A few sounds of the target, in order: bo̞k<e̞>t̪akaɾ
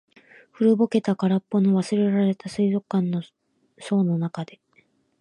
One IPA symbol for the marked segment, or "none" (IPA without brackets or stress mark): e̞